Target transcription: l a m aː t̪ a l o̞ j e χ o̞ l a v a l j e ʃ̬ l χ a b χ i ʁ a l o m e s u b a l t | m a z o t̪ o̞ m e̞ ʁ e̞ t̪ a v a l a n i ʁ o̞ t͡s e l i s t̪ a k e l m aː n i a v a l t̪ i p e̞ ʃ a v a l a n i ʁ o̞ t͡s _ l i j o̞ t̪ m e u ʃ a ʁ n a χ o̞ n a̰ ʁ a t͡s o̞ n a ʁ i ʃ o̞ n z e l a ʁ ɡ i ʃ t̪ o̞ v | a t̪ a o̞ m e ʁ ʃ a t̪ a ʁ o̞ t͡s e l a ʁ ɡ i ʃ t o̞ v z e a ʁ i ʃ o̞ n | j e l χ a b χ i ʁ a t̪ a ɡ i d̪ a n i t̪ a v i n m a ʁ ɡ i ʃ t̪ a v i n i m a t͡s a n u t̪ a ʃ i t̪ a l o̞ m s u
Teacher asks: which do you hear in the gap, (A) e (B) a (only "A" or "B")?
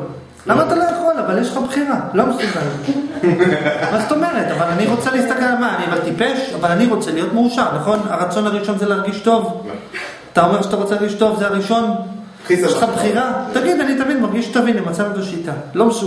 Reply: A